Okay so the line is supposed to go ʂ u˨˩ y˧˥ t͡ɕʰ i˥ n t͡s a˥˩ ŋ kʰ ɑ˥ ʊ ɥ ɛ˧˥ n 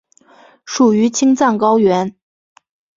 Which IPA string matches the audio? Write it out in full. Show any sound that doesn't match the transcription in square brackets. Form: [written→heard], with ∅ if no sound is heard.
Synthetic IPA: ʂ u˨˩ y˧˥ t͡ɕʰ i˥ [n→ŋ] t͡s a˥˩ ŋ [kʰ→k] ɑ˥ ʊ ɥ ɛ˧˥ n